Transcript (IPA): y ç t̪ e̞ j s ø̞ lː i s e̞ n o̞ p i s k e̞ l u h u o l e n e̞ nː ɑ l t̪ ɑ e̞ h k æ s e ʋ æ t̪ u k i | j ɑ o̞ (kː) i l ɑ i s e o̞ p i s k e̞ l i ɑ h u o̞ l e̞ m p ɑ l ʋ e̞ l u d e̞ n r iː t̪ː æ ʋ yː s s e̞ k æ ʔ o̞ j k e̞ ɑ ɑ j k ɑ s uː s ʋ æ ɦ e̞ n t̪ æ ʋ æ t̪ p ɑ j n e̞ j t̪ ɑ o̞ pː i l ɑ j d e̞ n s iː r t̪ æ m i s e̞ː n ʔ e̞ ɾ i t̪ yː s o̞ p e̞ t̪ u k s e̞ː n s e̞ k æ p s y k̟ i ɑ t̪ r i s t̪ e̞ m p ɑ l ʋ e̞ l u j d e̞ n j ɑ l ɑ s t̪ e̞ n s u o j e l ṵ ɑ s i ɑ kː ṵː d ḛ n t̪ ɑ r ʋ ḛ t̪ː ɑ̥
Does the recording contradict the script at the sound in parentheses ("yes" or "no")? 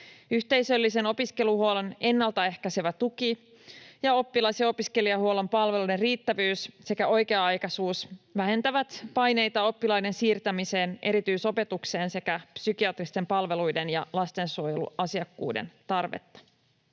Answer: yes